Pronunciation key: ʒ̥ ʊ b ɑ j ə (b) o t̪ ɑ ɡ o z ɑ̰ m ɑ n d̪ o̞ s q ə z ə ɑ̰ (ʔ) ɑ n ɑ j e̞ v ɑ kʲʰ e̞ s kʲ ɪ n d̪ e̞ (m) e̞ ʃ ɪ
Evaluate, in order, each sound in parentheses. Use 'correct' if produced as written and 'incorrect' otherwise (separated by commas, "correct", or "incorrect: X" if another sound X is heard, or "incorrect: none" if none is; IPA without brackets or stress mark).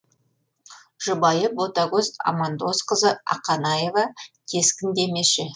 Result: correct, incorrect: q, correct